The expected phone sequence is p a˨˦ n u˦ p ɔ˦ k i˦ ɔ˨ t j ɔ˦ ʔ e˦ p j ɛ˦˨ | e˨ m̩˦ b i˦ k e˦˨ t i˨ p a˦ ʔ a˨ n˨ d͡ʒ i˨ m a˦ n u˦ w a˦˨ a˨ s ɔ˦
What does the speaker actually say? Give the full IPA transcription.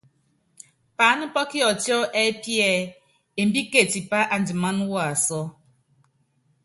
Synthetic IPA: p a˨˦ n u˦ p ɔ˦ k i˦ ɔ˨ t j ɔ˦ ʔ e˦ p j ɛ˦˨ | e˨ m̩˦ b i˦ k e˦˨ t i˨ p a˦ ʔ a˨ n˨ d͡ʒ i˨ m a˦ n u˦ w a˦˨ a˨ s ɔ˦